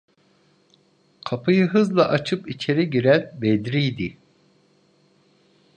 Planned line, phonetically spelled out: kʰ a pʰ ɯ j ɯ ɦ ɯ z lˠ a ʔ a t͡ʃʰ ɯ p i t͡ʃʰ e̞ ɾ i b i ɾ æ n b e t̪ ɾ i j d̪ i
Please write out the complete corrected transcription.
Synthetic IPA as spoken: kʰ a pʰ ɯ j ɯ ɦ ɯ z lˠ a ʔ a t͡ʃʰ ɯ p i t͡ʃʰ e̞ ɾ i ɟ i ɾ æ n b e d̪ ɾ i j d̪ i